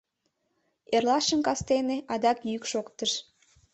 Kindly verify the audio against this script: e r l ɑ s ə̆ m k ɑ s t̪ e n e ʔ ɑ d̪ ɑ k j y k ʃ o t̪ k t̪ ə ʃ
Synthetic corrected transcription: e r l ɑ ʃ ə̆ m k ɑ s t̪ e n e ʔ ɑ d̪ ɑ k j y k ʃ o k t̪ ə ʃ